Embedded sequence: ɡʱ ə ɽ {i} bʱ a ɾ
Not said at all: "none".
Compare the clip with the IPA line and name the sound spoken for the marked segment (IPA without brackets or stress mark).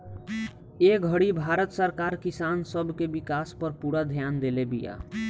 i